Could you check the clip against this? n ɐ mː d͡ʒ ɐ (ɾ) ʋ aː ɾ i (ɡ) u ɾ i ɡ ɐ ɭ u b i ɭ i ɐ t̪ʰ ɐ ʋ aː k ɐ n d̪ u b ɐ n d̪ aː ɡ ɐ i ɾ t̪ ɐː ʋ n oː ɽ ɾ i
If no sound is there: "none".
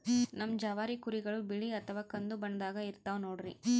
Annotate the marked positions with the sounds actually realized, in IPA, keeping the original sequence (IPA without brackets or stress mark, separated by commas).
none, k